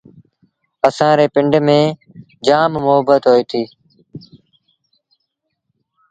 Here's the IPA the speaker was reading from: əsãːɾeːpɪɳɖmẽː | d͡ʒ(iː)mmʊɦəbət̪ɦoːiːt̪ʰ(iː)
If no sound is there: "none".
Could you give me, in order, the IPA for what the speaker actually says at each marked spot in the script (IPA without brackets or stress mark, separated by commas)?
aː, iː